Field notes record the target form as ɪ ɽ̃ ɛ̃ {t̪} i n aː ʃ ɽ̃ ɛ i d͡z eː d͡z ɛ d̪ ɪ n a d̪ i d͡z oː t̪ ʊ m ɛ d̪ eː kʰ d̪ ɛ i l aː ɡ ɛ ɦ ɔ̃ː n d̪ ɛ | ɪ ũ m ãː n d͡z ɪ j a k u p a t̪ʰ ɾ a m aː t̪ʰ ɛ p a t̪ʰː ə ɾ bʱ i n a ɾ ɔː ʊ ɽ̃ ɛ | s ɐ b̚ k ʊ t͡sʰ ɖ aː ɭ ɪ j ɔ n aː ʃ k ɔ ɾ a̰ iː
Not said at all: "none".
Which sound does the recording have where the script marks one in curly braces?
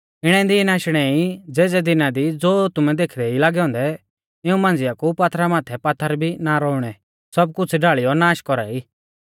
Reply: d̪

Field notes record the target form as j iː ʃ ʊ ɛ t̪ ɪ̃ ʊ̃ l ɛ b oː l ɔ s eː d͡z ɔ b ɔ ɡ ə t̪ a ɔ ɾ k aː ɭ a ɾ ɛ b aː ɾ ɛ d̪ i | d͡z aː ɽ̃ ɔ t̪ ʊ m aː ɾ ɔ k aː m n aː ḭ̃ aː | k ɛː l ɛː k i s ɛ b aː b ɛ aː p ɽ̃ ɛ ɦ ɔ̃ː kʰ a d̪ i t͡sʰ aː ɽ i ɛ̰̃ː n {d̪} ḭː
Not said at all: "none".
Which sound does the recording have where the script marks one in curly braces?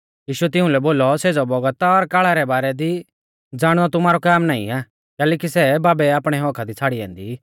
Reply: d̪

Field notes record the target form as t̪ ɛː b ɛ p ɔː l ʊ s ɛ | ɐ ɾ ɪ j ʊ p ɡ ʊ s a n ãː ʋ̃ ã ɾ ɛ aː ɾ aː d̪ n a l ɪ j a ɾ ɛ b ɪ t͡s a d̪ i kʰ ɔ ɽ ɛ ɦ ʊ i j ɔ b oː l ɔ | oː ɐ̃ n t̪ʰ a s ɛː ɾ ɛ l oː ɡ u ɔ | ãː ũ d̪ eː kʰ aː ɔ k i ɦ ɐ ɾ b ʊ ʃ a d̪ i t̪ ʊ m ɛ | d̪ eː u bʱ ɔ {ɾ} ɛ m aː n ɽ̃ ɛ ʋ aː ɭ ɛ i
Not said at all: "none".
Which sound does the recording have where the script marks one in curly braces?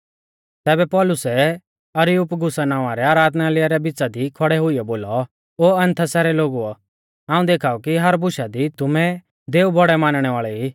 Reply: ɽ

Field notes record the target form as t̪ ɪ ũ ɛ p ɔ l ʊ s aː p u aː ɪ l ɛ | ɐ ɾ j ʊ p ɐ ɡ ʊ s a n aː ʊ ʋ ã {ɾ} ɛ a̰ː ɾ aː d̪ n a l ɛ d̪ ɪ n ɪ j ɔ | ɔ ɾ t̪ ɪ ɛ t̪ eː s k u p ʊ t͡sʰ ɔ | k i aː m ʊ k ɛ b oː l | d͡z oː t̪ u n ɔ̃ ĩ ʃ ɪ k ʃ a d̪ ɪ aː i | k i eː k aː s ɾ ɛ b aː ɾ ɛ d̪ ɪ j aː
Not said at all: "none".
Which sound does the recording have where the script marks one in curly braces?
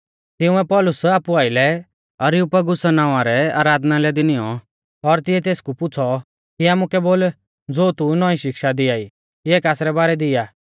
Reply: ɾ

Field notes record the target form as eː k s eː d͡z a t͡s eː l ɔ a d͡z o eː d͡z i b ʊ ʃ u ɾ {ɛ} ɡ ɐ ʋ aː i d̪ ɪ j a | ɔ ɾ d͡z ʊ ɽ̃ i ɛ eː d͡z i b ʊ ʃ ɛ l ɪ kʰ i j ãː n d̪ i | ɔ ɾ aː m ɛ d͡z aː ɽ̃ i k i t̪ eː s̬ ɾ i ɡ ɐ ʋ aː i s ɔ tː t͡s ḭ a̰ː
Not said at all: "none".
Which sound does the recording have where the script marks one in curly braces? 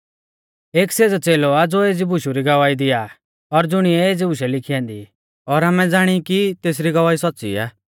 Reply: i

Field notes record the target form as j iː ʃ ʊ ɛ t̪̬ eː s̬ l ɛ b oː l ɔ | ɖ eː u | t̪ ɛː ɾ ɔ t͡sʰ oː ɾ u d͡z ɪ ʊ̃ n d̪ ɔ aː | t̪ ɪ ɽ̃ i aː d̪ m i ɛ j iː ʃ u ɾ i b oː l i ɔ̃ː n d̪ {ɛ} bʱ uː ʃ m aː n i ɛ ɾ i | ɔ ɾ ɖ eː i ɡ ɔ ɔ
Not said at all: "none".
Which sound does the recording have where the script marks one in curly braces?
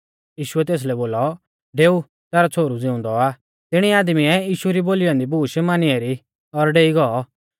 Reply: i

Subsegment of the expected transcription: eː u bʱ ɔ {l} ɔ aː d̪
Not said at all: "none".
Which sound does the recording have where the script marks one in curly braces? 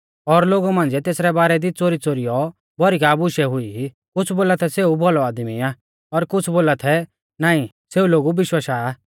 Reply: l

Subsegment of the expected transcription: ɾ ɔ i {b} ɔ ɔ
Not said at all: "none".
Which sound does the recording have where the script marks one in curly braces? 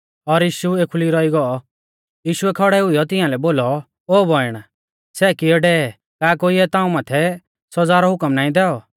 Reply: ɡ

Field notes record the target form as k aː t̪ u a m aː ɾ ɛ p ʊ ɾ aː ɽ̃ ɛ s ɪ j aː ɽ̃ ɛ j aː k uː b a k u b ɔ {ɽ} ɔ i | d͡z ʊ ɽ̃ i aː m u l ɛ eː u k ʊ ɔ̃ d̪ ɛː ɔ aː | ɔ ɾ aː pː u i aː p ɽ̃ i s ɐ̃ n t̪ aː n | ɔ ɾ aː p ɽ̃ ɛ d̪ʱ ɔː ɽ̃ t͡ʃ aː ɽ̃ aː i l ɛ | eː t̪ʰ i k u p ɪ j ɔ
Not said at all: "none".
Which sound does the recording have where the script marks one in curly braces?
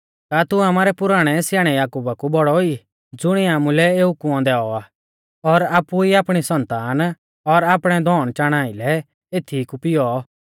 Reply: ɽ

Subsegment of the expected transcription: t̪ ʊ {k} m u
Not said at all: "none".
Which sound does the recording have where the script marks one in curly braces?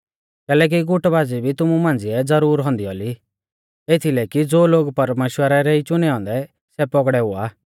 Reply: none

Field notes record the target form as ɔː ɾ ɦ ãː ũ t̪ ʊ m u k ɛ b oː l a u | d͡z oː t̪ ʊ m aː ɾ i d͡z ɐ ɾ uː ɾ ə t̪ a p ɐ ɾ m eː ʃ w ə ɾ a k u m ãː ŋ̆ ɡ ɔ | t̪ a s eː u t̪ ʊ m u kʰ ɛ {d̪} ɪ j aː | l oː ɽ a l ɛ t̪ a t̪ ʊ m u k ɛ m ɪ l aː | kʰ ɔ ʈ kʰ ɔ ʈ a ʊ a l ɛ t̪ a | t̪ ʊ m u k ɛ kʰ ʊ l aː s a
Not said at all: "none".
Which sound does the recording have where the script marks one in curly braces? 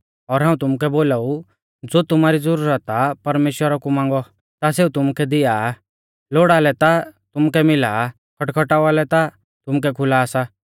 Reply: d̪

